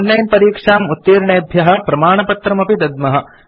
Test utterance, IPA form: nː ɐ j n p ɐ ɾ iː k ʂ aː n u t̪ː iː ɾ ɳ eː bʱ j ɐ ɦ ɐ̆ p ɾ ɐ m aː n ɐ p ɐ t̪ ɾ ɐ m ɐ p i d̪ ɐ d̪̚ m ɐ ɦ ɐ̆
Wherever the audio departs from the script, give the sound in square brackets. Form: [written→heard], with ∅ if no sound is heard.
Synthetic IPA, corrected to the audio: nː ɐ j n p ɐ ɾ iː k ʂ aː [n→m] u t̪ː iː ɾ ɳ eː bʱ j ɐ ɦ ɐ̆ p ɾ ɐ m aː [n→ɳ] ɐ p ɐ t̪ ɾ ɐ m ɐ p i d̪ ɐ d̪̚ m ɐ ɦ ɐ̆

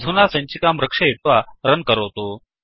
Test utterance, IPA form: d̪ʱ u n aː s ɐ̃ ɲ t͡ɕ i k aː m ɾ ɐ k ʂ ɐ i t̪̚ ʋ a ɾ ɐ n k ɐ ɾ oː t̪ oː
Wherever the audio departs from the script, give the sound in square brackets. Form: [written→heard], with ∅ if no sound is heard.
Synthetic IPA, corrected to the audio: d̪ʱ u n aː s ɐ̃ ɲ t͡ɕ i k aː m ɾ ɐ k ʂ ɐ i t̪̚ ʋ a ɾ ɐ n k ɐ ɾ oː t̪ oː

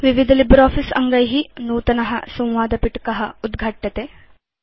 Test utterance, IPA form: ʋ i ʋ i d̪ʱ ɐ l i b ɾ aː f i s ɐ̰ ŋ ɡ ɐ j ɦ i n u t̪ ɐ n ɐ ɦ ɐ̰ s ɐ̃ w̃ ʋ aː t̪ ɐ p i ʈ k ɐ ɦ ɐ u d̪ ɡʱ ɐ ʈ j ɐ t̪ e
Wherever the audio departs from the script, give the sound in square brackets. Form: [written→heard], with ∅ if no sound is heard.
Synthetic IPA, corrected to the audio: ʋ i ʋ i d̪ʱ ɐ l i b ɾ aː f i s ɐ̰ ŋ ɡ ɐ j ɦ i n [u→uː] t̪ ɐ n ɐ ɦ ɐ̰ s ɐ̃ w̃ ʋ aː [t̪→d̪] ɐ p i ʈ k ɐ ɦ ɐ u d̪ ɡʱ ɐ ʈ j ɐ t̪ e

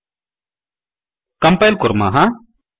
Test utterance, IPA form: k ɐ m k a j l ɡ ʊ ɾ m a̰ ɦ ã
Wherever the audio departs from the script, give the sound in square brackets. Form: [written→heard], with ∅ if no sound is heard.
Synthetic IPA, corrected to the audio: k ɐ m [k→p] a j l [ɡ→k] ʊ ɾ m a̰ ɦ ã

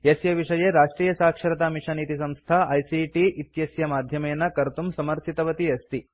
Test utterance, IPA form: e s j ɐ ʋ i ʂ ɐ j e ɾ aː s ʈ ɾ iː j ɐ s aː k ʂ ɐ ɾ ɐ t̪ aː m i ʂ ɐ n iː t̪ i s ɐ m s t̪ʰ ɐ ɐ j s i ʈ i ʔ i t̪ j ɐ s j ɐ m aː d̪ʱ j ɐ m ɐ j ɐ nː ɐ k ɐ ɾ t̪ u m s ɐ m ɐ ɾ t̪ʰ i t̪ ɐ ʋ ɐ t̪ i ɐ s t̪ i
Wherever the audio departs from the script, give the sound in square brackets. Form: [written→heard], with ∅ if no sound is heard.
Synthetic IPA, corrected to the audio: e s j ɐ ʋ i ʂ ɐ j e ɾ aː [s→ʂ] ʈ ɾ iː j ɐ s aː k ʂ ɐ ɾ ɐ t̪ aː m i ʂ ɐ n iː t̪ i s ɐ m s t̪ʰ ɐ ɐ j s i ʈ i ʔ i t̪ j ɐ s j ɐ m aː d̪ʱ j ɐ m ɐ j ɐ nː ɐ k ɐ ɾ t̪ u m s ɐ m ɐ ɾ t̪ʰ i t̪ ɐ ʋ ɐ t̪ i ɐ s t̪ i

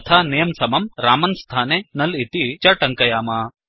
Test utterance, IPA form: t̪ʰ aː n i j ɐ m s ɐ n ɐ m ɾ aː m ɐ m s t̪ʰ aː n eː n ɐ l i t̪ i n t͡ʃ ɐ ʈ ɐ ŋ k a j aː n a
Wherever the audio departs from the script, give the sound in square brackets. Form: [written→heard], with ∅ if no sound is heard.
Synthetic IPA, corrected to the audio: t̪ʰ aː n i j ɐ m s ɐ [n→m] ɐ m ɾ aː m ɐ [m→n] s t̪ʰ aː n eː n ɐ l i t̪ i [n→∅] t͡ʃ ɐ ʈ ɐ ŋ k [a→ɐ] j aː [n→m] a

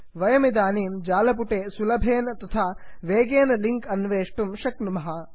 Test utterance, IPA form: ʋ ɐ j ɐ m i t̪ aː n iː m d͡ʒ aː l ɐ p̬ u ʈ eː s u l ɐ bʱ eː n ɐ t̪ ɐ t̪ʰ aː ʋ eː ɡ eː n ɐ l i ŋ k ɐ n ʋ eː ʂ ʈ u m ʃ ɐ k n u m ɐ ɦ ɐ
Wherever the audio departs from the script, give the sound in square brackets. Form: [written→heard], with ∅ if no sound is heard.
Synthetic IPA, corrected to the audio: ʋ ɐ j ɐ m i [t̪→d̪] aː n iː m d͡ʒ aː l ɐ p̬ u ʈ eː s u l ɐ bʱ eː n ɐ t̪ ɐ t̪ʰ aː ʋ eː ɡ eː n ɐ l i ŋ k ɐ n ʋ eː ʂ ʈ u m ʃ ɐ k n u m ɐ ɦ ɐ

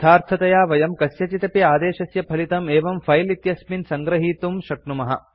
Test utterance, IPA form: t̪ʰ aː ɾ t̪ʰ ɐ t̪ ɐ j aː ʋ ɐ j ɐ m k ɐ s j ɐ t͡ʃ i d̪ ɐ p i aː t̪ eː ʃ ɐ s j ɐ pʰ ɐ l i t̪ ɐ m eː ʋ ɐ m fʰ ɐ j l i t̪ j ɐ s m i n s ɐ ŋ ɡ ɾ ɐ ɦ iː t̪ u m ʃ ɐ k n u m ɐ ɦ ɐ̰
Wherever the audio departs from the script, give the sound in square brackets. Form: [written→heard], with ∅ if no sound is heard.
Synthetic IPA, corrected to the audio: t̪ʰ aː ɾ t̪ʰ ɐ t̪ ɐ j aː ʋ ɐ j ɐ m k ɐ s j ɐ t͡ʃ i [d̪→t̪] ɐ p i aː [t̪→d̪] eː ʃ ɐ s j ɐ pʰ ɐ l i t̪ ɐ m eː ʋ ɐ m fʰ ɐ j l i t̪ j ɐ s m i n s ɐ ŋ ɡ ɾ ɐ ɦ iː t̪ u m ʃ ɐ k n u m ɐ ɦ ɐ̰

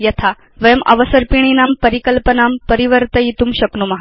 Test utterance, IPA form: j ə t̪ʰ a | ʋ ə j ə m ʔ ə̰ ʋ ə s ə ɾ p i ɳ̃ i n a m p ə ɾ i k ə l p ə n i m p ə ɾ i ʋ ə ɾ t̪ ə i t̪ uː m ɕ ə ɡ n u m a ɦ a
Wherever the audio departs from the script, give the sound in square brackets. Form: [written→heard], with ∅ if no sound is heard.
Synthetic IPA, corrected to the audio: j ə t̪ʰ a | ʋ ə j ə m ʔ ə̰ ʋ ə s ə ɾ p i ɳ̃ i n a m p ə ɾ i k ə l p ə n [i→a] m p ə ɾ i ʋ ə ɾ t̪ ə i t̪ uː m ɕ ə [ɡ→k] n u m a ɦ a

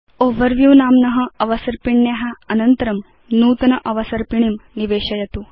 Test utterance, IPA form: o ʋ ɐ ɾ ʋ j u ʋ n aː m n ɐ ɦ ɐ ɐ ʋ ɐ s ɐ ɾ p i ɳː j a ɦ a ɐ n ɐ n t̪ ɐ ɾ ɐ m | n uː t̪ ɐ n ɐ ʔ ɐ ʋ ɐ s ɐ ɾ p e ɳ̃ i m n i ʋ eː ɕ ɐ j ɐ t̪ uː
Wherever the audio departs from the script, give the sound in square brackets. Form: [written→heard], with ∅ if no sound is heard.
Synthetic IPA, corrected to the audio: o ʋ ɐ ɾ ʋ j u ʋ n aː m n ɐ ɦ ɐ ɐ ʋ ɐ s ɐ ɾ p i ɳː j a ɦ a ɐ n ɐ n t̪ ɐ ɾ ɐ m | n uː t̪ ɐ n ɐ ʔ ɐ ʋ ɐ s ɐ ɾ p [e→i] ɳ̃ i m n i ʋ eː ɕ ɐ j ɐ t̪ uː

